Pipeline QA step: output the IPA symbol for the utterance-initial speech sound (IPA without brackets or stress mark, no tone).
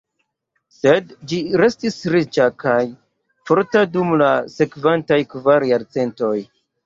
s